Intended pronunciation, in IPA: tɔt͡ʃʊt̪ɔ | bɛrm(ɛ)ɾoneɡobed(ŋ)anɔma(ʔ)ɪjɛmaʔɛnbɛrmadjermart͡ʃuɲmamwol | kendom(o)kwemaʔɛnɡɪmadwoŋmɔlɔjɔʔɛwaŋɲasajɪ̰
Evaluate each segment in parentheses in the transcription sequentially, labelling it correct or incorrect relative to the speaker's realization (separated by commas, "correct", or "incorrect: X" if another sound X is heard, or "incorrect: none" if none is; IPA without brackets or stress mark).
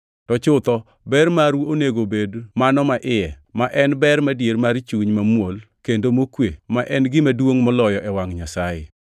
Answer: incorrect: a, incorrect: m, correct, correct